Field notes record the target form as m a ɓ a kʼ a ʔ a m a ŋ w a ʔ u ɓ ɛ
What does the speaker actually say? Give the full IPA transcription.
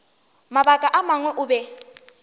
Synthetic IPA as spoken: m a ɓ a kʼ a ʔ a m a ŋ w ɛ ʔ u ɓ ɛ

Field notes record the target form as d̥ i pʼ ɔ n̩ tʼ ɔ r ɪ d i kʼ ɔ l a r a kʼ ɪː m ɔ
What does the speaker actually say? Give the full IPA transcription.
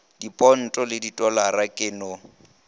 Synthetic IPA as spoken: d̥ i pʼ ɔ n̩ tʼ ɔ l ɪ d i tʼ ɔ l a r a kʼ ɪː n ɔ

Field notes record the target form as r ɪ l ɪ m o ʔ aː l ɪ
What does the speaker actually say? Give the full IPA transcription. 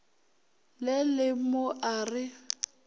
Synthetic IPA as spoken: l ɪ l ɪ m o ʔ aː r ɪ

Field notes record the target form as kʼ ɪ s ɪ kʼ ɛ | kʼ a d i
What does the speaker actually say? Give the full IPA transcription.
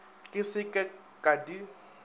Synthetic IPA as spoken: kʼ ɪ s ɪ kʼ ɛ | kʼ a d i

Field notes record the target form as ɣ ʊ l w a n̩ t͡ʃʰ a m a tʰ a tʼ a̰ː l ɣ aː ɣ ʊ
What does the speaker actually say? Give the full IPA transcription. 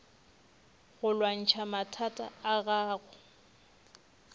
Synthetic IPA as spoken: ɣ ʊ l w a n̩ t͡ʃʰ a m a tʰ a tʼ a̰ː ɣ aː ɣ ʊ

